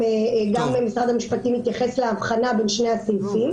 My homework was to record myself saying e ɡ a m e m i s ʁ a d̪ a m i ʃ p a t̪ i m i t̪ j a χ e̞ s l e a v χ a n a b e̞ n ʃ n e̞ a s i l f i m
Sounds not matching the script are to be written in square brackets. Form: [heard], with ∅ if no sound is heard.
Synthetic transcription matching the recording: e ɡ a m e m i s ʁ a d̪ a m i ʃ p a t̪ i m i t̪ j a χ e̞ s l e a v χ a n a b e̞ n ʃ n e̞ a s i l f i m